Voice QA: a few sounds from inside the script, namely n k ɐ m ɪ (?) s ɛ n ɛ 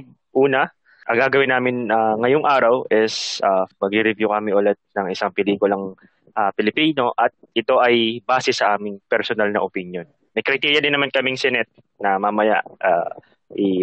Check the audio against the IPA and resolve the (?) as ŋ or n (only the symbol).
ŋ